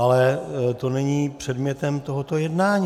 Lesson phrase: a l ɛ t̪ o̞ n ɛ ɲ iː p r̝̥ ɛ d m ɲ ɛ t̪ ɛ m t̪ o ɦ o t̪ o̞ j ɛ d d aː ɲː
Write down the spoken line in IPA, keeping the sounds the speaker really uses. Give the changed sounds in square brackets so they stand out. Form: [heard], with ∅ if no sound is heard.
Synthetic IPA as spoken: a l ɛ t̪ o̞ n ɛ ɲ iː p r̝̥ ɛ d m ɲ ɛ t̪ ɛ m t̪ o ɦ o t̪ o̞ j ɛ d [n] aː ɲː

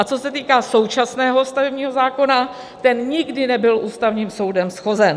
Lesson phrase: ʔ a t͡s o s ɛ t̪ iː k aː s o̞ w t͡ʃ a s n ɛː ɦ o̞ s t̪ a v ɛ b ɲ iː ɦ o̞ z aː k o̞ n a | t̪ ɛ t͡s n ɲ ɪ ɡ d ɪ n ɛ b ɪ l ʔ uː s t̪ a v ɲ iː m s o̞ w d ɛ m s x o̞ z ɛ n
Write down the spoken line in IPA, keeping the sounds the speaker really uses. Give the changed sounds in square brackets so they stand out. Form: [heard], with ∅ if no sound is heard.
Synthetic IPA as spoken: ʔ a t͡s o s ɛ t̪ iː k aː s o̞ w t͡ʃ a s n ɛː ɦ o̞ s t̪ a v ɛ b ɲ iː ɦ o̞ z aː k o̞ n a | t̪ ɛ [∅] n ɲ ɪ ɡ d ɪ n ɛ b ɪ l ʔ uː s t̪ a v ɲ iː m s o̞ w d ɛ m s x o̞ z ɛ n

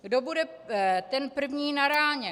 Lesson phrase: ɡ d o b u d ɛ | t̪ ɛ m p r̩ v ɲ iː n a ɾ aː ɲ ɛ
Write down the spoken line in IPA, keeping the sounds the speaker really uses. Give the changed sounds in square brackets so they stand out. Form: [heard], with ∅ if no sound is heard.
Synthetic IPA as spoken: ɡ d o b u d ɛ | t̪ ɛ [n] p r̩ v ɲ iː n a ɾ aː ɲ ɛ

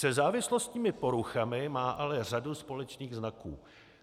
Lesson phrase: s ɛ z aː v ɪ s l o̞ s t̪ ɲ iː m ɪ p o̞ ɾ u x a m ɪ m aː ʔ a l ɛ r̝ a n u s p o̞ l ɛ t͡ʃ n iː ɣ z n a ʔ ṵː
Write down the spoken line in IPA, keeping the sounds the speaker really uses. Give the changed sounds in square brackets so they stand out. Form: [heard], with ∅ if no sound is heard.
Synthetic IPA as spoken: s ɛ z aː v ɪ s l o̞ s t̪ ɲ iː m ɪ p o̞ ɾ u x a m ɪ m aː ʔ a l ɛ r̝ a [d] u s p o̞ l ɛ t͡ʃ n iː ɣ z n a [k] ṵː

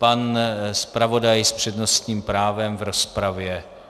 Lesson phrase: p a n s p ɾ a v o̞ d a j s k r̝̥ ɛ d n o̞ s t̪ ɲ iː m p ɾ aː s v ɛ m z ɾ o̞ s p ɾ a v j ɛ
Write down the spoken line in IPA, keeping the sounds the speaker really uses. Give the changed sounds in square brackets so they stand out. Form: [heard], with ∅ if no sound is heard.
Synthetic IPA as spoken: p a n s p ɾ a v o̞ d a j s [p] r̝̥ ɛ d n o̞ s t̪ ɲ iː m p ɾ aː [∅] v ɛ m [v] ɾ o̞ s p ɾ a v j ɛ

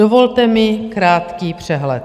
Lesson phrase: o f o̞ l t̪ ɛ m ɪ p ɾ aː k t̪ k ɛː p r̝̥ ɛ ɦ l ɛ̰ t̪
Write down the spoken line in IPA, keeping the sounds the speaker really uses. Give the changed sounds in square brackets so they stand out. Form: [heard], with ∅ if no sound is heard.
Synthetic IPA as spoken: o [v] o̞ l t̪ ɛ m ɪ [k] ɾ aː [∅] t̪ k [iː] p r̝̥ ɛ ɦ l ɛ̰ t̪

